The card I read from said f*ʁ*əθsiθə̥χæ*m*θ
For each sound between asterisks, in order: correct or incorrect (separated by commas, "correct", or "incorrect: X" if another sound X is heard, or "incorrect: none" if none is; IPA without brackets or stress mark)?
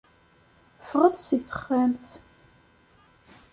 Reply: correct, correct